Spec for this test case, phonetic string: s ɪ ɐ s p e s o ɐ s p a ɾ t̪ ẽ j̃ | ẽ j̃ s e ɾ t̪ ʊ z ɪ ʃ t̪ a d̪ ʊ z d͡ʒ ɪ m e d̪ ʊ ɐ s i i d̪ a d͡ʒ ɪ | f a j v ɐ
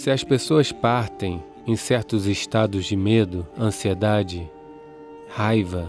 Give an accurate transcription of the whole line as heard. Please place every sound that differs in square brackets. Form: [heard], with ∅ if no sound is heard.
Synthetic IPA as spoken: s ɪ ɐ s p e s o ɐ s p a ɾ t̪ ẽ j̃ | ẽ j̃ s [ɛ] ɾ t̪ ʊ z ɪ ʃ t̪ a d̪ ʊ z d͡ʒ ɪ m e d̪ ʊ [ɐ̃] s i [e] d̪ a d͡ʒ ɪ | [h] a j v ɐ